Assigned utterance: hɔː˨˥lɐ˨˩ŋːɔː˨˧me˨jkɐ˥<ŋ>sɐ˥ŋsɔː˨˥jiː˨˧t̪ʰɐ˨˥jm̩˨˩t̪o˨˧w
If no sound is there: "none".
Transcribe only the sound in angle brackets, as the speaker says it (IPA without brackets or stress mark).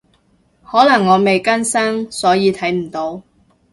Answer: n